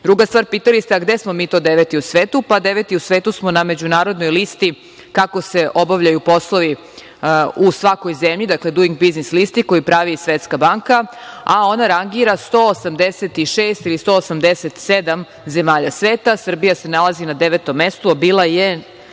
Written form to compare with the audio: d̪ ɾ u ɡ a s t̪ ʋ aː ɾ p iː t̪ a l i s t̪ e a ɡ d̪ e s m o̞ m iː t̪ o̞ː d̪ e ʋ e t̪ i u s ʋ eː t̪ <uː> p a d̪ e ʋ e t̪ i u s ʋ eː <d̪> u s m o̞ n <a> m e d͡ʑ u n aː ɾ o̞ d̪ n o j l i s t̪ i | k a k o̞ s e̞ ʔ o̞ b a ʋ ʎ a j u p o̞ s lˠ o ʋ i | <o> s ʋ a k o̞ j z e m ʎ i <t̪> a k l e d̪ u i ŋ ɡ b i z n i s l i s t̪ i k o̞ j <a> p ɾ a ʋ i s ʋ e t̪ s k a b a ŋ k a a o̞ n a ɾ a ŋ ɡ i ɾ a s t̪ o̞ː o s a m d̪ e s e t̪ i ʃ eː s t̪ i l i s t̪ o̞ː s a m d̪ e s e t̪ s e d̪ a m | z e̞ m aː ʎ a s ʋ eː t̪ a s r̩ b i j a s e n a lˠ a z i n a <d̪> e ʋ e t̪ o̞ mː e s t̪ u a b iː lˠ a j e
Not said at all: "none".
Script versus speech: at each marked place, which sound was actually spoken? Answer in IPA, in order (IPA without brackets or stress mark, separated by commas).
u, t̪, a, u, d̪, i, d̪